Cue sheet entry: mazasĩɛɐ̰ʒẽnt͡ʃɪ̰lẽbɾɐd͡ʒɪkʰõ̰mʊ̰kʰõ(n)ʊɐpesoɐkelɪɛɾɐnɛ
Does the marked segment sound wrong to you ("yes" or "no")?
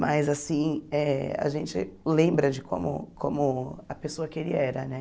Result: yes